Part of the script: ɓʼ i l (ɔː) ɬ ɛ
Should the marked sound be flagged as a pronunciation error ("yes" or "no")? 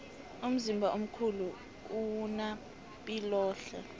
no